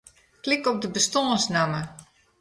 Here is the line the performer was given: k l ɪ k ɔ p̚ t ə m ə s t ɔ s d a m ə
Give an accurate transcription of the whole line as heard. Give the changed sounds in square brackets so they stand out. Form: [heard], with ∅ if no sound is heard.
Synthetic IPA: k l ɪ k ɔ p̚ [d] ə [b] ə s t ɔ s [n] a m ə